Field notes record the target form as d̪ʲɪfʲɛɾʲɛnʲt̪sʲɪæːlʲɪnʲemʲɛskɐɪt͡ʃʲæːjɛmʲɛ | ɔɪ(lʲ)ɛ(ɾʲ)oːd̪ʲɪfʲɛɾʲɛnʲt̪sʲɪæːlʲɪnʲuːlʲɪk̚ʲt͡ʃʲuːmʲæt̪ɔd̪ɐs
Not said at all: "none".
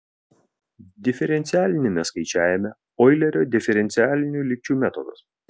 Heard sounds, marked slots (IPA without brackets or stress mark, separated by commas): lʲ, ɾʲ